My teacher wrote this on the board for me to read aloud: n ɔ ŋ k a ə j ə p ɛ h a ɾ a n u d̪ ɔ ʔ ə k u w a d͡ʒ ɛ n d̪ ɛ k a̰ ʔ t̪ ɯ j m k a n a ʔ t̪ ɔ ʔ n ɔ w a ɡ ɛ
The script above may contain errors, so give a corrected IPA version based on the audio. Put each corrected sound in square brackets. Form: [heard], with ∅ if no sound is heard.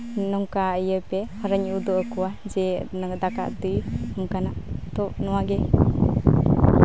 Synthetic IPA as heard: n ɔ ŋ k a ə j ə p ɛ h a ɾ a [ɲ] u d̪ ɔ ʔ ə k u w a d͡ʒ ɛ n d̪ [a] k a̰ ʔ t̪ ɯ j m k a n a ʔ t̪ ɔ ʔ n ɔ w a ɡ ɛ

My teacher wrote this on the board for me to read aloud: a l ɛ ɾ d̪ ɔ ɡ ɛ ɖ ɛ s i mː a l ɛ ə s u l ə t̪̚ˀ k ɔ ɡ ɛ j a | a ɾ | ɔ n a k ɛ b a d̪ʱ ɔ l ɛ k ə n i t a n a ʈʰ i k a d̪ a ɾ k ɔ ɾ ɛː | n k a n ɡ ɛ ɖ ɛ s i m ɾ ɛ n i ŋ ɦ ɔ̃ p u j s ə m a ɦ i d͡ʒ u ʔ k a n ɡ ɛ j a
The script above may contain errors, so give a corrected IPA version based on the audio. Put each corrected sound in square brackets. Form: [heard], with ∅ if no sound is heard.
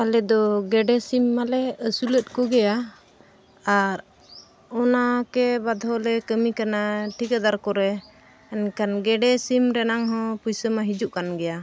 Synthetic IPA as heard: a l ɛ [∅] d̪ ɔ ɡ ɛ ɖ ɛ s i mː a l ɛ ə s u l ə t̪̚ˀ k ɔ ɡ ɛ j a | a ɾ | ɔ n a k ɛ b a d̪ʱ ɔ l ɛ k ə [m] i [k] a n a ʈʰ i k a d̪ a ɾ k ɔ ɾ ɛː | n k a n ɡ ɛ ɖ ɛ s i m ɾ ɛ n [a] ŋ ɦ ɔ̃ p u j s ə m a ɦ i d͡ʒ u ʔ k a n ɡ ɛ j a

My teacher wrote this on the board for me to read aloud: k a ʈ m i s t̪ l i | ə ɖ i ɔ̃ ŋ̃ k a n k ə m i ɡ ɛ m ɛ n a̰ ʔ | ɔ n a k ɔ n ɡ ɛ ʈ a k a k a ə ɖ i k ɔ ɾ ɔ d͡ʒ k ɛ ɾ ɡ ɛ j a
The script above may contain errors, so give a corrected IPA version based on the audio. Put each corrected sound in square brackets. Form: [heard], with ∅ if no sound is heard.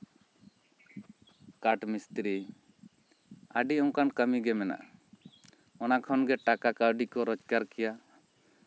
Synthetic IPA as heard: k a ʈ m i s t̪ [ɾ] i | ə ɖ i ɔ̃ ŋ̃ k a n k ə m i ɡ ɛ m ɛ n a̰ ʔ | ɔ n a [kʰ] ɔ n ɡ ɛ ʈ a k a k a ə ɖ i k ɔ ɾ ɔ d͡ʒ k [a] ɾ [k] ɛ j a

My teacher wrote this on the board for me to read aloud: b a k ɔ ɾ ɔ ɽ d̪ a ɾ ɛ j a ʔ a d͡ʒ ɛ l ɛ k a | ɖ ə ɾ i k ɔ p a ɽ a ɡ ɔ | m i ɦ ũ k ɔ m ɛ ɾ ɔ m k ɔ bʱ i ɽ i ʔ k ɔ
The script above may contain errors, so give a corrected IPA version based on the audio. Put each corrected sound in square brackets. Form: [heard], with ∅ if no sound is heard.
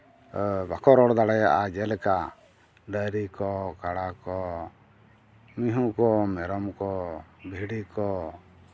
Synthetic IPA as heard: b a k ɔ ɾ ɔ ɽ d̪ a [ɽ] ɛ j a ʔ a d͡ʒ ɛ l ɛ k a | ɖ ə ɾ i k ɔ [k] a ɽ a [k] ɔ | m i ɦ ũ k ɔ m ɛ ɾ ɔ m k ɔ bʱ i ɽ i [∅] k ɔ

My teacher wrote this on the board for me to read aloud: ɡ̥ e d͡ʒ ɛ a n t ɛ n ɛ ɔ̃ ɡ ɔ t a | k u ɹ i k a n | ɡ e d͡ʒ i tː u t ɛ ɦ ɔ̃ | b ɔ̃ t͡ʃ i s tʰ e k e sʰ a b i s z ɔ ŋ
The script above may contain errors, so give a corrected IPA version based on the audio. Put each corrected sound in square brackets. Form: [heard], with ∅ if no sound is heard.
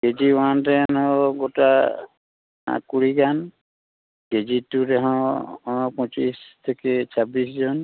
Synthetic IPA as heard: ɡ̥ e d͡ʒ [i] a n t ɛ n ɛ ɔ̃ ɡ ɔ t a | k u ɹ i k a n | ɡ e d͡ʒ i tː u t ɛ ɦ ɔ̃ | [p] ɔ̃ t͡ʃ i s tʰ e k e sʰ a b i s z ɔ [n]

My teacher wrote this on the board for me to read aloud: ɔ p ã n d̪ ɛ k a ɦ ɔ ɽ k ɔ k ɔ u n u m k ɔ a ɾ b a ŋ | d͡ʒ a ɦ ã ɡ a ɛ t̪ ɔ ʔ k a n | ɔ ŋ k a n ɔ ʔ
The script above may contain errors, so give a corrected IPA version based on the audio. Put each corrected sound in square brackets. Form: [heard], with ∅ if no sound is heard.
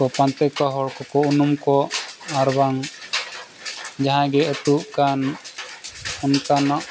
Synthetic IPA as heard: ɔ p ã n [t̪] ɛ k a ɦ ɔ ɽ k ɔ k ɔ u n u m k ɔ a ɾ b a ŋ | d͡ʒ a ɦ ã ɡ [ɛ] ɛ t̪ [u] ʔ k a n | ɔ [n] k a n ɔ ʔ

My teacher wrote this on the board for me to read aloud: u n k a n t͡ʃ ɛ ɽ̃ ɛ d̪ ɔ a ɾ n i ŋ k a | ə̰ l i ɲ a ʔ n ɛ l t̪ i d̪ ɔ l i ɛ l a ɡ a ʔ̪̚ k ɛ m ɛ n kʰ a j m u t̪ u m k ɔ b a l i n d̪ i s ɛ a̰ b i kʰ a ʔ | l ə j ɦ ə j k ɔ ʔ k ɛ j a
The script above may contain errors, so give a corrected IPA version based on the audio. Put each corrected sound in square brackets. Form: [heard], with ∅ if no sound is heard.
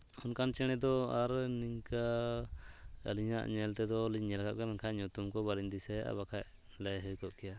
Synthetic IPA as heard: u n k a n t͡ʃ ɛ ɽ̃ ɛ d̪ ɔ a ɾ n i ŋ k a | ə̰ l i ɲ a ʔ [ɲ] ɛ l t̪ [ɛ] d̪ ɔ l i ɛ l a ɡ a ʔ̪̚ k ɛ m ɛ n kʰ a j [ɲ] u t̪ u m k ɔ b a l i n d̪ i s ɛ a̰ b [a] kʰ a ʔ | l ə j ɦ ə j k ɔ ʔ k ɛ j a

